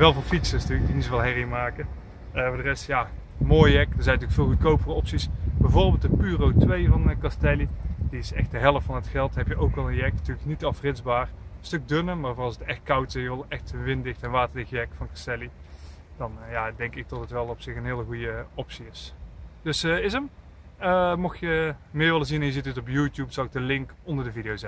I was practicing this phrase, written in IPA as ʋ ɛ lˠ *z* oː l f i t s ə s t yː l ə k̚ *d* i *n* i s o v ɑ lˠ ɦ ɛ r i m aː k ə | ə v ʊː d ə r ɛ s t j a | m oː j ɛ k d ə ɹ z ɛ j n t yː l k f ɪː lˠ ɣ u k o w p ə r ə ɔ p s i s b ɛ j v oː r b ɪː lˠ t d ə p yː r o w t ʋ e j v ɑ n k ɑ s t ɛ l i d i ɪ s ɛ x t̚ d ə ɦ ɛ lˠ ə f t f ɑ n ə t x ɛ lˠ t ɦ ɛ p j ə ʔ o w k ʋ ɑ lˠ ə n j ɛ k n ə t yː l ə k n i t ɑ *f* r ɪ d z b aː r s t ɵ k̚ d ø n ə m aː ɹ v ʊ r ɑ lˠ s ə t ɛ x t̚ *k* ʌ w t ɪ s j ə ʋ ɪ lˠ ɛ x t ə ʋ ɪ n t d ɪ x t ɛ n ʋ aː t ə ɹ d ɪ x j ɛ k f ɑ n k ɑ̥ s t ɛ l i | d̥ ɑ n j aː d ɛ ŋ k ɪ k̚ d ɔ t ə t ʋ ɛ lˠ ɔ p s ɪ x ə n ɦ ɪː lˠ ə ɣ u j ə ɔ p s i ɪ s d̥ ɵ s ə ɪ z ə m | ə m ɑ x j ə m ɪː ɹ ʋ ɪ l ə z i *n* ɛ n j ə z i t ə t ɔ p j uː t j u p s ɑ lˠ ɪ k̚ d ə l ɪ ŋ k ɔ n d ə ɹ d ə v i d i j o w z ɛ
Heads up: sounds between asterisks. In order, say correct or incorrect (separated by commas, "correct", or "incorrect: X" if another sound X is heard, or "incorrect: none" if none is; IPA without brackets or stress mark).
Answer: incorrect: v, correct, correct, correct, correct, correct